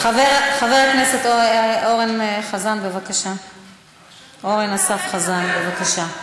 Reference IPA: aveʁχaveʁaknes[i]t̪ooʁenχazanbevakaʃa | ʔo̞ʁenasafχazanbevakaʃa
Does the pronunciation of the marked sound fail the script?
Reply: yes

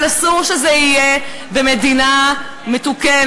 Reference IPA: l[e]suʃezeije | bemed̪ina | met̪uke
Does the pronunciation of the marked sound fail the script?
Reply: yes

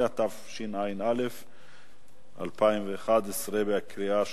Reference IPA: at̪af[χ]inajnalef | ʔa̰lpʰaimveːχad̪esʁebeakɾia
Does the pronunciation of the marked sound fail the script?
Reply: yes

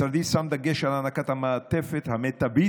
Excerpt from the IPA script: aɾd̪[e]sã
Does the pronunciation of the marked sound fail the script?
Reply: yes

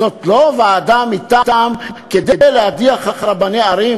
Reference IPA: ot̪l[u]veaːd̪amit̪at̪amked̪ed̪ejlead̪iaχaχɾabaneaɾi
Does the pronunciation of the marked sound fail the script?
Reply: yes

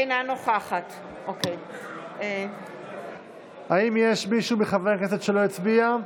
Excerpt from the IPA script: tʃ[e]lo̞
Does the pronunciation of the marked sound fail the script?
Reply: no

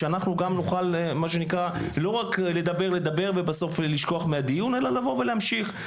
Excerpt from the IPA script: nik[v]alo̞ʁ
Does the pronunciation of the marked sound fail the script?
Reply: yes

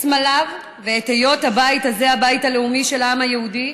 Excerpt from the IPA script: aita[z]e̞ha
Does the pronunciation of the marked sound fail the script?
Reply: no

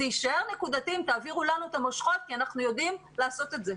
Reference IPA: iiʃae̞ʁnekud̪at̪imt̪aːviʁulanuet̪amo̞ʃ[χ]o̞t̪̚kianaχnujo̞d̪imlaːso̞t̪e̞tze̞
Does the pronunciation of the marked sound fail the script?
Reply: no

